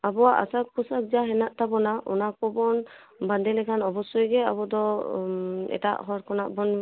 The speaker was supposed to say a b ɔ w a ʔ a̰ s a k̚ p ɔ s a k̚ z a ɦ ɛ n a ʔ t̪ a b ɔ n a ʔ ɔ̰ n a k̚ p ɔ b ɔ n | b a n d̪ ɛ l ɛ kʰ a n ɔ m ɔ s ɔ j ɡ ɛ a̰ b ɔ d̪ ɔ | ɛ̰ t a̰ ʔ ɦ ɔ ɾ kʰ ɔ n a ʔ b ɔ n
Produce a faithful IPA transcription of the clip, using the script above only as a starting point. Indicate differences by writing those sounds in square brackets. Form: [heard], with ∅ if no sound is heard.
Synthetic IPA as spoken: a b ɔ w a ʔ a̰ s a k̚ p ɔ s a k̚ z a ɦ ɛ n a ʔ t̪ a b ɔ n a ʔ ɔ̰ n a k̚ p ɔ b ɔ n | b a n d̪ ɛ l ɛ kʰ a n ɔ [b] ɔ s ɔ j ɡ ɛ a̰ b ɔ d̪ ɔ | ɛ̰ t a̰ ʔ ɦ ɔ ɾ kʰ ɔ n a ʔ b ɔ n

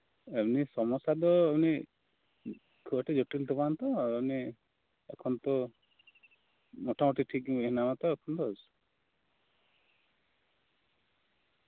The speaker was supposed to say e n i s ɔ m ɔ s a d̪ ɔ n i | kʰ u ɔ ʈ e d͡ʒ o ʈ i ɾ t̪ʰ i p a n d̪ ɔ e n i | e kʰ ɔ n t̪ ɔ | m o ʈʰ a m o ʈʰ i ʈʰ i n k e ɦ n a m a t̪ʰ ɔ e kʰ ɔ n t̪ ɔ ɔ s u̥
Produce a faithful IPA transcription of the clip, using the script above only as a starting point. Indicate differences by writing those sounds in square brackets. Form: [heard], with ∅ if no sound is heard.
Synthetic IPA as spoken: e n i s ɔ m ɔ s a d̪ ɔ n i | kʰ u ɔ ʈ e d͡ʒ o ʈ i [l] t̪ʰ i p a n [t̪] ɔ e n i | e kʰ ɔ n t̪ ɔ | m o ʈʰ a m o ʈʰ i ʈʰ i [∅] k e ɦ n a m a [t̪] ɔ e kʰ ɔ n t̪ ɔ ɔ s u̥

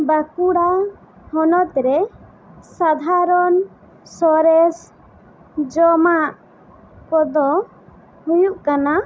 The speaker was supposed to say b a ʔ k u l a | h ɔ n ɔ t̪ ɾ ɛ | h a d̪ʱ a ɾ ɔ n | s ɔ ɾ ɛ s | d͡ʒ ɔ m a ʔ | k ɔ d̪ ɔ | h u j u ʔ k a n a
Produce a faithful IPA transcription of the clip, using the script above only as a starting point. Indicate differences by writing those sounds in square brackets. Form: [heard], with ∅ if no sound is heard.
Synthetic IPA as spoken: b a [∅] k u [ɽ] a | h ɔ n ɔ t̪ ɾ ɛ | [s] a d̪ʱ a ɾ ɔ n | s ɔ ɾ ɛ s | d͡ʒ ɔ m a ʔ | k ɔ d̪ ɔ | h u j u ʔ k a n a

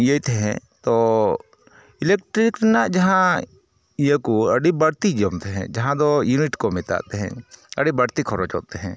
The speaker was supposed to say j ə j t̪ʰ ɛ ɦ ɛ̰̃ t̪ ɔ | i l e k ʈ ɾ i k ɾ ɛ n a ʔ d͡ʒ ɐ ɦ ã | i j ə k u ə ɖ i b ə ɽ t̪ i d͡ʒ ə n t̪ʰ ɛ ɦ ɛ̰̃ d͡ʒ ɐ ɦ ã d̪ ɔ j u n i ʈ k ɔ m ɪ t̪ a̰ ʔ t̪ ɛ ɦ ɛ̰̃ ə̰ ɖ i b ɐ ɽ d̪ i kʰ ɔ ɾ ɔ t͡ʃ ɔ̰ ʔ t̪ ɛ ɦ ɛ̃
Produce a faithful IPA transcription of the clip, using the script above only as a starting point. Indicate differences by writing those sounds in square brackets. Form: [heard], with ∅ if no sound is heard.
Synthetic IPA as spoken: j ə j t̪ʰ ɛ ɦ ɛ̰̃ t̪ ɔ | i l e k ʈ ɾ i k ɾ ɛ n a ʔ d͡ʒ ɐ ɦ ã | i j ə k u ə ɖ i b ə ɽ t̪ i d͡ʒ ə [m] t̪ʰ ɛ ɦ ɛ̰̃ d͡ʒ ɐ ɦ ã d̪ ɔ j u n i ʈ k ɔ m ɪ t̪ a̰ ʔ t̪ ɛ ɦ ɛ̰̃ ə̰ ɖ i b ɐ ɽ [t̪] i kʰ ɔ ɾ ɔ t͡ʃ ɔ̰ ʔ t̪ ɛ ɦ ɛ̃

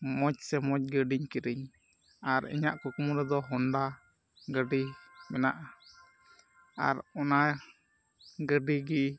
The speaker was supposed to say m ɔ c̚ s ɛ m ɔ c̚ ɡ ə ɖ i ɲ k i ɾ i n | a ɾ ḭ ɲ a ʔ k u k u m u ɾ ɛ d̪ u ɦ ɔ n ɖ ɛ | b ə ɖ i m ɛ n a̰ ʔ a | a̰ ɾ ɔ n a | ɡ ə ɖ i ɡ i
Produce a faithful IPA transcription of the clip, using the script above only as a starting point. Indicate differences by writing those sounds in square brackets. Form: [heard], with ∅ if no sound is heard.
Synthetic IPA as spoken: m ɔ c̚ s ɛ m ɔ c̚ ɡ ə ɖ i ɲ k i ɾ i [ɲ] | a ɾ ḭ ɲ a ʔ k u k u m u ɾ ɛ d̪ [ɔ] ɦ ɔ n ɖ [a] | [ɡ] ə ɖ i m ɛ n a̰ ʔ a | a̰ ɾ ɔ n a | ɡ ə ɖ i ɡ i

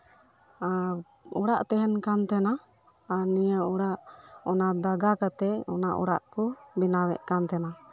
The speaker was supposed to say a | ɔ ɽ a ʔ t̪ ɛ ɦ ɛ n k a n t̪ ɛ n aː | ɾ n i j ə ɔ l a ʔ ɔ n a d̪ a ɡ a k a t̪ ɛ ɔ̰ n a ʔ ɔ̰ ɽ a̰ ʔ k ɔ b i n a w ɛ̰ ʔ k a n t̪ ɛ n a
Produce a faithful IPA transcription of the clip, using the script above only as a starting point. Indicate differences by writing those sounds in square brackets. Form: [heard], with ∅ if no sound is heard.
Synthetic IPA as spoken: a | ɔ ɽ a ʔ t̪ ɛ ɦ ɛ n k a n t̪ ɛ n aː | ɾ n i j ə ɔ [ɽ] a ʔ ɔ n a d̪ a ɡ a k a t̪ ɛ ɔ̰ n a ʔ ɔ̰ ɽ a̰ ʔ k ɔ b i n a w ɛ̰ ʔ k a n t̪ ɛ n a

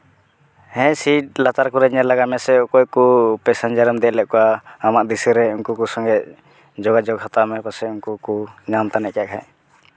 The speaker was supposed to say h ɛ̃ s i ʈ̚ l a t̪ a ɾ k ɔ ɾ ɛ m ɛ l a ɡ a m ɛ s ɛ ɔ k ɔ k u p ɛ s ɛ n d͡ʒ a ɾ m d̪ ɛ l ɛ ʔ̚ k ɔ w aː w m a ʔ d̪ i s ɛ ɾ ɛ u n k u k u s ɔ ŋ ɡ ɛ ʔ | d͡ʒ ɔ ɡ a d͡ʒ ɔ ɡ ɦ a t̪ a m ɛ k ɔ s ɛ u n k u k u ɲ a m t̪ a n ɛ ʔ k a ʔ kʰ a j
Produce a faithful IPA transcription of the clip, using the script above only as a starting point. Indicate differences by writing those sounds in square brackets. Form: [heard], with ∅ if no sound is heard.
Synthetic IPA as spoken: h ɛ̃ s i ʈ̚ l a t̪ a ɾ k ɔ ɾ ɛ [ɲ] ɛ l a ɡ a m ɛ s ɛ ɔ k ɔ k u p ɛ s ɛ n d͡ʒ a ɾ m d̪ ɛ l ɛ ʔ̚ k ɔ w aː [∅] m a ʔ d̪ i s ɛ ɾ ɛ u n k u k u s ɔ ŋ ɡ ɛ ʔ | d͡ʒ ɔ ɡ a d͡ʒ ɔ ɡ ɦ a t̪ a m ɛ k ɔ s ɛ u n k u k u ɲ a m t̪ a n ɛ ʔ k a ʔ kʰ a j

